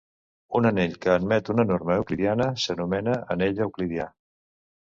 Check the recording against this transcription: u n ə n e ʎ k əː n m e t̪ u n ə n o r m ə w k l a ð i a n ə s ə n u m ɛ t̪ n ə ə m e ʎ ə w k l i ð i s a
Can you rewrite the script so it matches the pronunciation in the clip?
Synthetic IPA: u n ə n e ʎ k əː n m ɛ t̪ u n ə n o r m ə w k l i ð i a n ə s ə n u m ɛ n ə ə n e ʎ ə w k l i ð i a